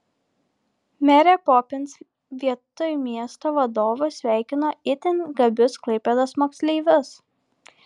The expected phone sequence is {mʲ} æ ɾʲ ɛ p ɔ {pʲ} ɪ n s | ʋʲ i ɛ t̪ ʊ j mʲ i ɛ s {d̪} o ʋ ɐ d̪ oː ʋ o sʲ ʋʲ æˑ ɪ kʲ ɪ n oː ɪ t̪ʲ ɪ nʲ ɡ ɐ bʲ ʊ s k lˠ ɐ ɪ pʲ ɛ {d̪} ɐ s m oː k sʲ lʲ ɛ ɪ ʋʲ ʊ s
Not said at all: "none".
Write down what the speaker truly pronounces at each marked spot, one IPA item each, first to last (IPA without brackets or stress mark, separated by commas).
mʲ, pʲ, t̪, d̪